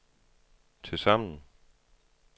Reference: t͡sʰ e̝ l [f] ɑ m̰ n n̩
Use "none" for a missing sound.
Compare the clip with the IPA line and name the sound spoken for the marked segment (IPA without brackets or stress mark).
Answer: s